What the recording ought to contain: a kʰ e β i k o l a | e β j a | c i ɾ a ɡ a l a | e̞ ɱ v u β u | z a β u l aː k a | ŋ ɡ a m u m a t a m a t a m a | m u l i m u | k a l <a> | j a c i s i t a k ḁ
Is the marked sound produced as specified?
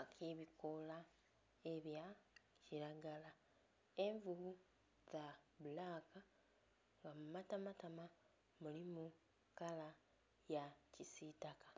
yes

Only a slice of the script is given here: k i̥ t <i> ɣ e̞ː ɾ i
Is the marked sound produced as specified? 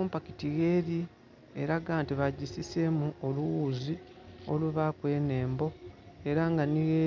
yes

